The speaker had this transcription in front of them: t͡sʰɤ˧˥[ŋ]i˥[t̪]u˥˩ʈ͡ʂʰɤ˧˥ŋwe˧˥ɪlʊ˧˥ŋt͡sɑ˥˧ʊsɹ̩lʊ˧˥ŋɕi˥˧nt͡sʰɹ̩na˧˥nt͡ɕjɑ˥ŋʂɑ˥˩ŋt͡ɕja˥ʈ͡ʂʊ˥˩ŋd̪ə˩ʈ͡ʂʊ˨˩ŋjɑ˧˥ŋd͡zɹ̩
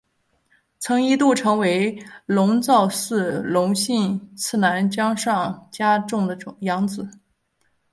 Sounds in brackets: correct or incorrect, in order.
correct, correct

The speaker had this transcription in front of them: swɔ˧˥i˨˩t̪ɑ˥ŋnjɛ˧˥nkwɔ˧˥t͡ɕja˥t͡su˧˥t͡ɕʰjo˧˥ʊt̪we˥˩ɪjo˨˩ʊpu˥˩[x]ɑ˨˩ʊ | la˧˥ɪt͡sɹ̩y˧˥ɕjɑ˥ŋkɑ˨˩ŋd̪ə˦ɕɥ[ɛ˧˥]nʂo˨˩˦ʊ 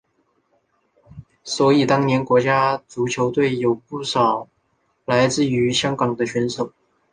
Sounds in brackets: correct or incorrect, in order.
incorrect: ʂ, correct

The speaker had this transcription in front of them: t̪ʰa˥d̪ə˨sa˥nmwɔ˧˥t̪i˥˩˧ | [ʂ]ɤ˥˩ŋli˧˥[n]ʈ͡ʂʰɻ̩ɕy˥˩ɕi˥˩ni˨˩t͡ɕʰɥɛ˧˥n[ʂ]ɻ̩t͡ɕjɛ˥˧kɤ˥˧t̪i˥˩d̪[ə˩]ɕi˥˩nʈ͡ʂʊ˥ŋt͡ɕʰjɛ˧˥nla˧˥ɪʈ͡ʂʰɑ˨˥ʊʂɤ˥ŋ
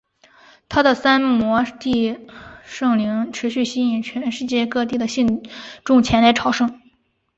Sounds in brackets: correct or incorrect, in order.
correct, incorrect: ŋ, correct, correct

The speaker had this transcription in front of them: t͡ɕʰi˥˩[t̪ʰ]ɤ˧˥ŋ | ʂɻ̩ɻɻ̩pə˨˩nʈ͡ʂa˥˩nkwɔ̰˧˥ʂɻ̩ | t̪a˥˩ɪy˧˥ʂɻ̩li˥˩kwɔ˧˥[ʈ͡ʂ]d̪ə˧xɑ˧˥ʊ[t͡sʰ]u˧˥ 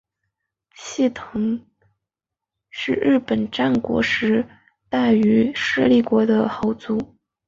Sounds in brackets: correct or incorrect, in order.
correct, incorrect: none, incorrect: t͡s

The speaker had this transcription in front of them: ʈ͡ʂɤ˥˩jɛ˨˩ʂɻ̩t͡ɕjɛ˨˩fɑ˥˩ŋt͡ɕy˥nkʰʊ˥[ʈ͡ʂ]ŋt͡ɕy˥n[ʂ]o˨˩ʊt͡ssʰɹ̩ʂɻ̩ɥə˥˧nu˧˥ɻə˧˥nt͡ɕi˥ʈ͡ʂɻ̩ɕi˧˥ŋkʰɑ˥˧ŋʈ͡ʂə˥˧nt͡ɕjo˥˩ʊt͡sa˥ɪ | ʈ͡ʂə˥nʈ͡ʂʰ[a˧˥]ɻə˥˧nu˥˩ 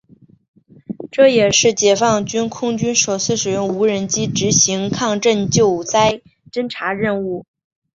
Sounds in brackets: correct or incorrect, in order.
incorrect: none, correct, correct

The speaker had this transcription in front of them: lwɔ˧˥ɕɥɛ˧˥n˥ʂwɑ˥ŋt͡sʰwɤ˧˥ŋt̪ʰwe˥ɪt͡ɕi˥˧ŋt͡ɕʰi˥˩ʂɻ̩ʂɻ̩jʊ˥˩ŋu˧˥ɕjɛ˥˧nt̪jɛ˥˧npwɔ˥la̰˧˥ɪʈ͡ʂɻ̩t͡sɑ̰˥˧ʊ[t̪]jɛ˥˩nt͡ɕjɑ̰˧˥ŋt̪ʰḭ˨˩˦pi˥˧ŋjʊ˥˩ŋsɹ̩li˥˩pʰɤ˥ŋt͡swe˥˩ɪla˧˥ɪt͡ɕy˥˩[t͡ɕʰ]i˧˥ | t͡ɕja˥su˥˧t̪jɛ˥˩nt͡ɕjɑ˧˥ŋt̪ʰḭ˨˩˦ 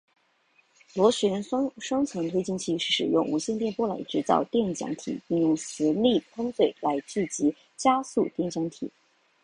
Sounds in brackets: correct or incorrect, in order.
correct, incorrect: t͡ɕ

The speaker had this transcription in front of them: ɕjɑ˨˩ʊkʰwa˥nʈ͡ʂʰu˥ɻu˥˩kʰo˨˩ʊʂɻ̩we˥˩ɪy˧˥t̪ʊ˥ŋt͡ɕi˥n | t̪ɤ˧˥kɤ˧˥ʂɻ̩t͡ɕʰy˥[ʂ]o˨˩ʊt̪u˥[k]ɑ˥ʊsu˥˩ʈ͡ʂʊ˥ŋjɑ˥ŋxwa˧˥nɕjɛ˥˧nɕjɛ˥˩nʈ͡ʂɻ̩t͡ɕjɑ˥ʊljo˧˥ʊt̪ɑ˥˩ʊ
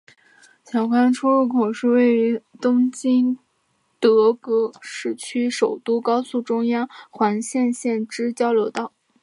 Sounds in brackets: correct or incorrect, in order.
correct, correct

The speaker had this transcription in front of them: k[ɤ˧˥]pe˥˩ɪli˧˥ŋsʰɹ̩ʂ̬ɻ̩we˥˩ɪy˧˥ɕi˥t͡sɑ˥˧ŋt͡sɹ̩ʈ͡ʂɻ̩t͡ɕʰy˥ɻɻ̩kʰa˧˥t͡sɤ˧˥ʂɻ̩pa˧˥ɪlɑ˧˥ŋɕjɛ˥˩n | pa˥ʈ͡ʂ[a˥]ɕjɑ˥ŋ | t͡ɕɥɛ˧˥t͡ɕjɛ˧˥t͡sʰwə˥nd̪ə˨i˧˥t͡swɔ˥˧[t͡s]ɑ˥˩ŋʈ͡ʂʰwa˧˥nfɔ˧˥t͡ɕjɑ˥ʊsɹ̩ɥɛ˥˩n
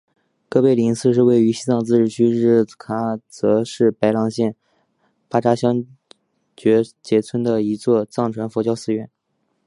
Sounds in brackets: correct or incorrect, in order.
incorrect: ɤ˥, correct, correct

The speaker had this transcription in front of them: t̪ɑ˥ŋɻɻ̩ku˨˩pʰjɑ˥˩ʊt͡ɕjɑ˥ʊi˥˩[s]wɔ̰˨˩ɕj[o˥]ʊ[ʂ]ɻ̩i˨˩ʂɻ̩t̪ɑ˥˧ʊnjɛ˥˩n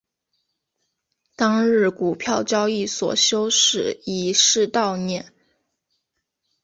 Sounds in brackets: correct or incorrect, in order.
correct, correct, correct

